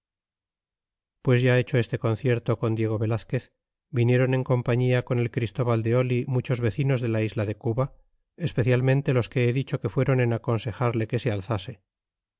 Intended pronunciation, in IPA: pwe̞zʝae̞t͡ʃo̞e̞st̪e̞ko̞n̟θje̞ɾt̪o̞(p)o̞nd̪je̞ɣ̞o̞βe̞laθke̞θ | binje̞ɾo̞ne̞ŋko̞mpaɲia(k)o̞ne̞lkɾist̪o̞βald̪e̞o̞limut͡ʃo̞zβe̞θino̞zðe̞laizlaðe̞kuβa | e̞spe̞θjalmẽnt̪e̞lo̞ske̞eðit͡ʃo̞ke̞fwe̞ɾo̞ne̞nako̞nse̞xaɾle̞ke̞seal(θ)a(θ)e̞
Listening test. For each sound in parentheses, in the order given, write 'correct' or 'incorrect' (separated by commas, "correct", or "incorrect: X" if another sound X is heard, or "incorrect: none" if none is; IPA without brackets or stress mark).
incorrect: k, correct, correct, incorrect: s